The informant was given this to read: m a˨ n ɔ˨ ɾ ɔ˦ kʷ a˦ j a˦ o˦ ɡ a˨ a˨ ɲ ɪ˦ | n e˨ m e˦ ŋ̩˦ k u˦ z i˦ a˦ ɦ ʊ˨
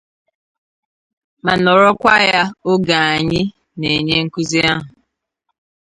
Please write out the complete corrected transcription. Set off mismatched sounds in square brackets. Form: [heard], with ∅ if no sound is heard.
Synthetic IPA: m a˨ n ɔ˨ ɾ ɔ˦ kʷ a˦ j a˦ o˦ ɡ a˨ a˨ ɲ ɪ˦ | n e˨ [ɲ] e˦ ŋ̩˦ k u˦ z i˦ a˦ ɦ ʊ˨